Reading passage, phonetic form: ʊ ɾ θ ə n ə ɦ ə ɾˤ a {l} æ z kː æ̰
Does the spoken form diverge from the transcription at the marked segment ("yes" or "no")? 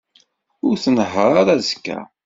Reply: yes